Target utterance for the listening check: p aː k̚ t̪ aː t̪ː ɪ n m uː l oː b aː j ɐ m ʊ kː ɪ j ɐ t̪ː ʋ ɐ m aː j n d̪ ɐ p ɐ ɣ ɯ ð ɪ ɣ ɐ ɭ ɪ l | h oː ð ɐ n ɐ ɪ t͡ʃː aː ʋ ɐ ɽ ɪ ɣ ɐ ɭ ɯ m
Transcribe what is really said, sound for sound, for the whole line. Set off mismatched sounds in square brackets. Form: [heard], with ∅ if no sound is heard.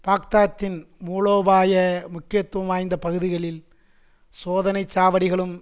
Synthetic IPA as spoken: p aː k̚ t̪ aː t̪ː ɪ n m uː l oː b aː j ɐ m ʊ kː ɪ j ɐ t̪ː ʋ ɐ m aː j n d̪ ɐ p ɐ ɣ ɯ ð ɪ ɣ ɐ ɭ ɪ l | [s] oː ð ɐ n ɐ ɪ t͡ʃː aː ʋ ɐ ɽ ɪ ɣ ɐ ɭ ɯ m